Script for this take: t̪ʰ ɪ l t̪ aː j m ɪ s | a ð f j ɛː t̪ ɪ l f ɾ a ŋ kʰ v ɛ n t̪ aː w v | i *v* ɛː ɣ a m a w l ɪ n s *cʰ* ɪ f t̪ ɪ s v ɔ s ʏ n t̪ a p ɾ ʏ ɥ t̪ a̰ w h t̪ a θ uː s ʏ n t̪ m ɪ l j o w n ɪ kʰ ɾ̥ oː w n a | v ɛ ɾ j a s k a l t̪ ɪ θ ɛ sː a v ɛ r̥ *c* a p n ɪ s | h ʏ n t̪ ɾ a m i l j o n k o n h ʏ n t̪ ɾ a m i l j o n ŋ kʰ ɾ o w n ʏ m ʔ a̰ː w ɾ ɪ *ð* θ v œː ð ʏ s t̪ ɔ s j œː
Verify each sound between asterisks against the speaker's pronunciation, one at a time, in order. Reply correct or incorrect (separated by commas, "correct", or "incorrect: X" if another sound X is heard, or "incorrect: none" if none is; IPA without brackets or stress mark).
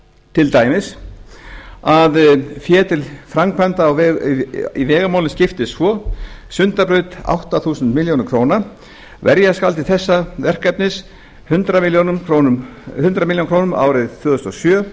correct, incorrect: c, incorrect: k, correct